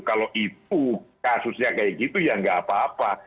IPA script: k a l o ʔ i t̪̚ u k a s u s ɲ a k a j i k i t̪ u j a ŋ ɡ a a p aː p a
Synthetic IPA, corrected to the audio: k a l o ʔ i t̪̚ u k a s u s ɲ a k a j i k i t̪ u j a ŋ ɡ a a p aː p a